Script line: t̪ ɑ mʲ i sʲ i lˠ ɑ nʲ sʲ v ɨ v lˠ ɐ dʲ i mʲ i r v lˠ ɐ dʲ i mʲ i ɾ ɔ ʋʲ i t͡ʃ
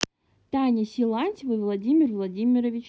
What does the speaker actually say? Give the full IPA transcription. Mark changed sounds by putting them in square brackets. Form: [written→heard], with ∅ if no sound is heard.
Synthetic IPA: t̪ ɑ [mʲ→nʲ] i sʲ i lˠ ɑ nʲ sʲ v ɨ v lˠ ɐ dʲ i mʲ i r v lˠ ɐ dʲ i mʲ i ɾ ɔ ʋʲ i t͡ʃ